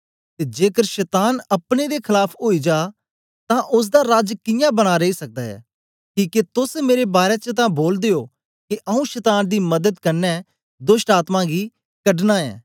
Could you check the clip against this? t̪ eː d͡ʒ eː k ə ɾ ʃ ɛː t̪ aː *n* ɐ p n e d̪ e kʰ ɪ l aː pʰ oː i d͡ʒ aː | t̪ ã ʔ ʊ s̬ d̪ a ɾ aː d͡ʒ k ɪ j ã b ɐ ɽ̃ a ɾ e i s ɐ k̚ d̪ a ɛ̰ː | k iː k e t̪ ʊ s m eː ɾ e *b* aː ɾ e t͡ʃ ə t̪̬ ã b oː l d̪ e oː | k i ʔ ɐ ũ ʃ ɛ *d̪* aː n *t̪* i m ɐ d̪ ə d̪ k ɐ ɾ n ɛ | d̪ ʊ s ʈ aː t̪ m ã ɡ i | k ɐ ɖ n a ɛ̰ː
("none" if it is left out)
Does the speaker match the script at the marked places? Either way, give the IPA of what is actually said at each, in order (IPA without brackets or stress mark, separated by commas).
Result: n, b, t̪, d̪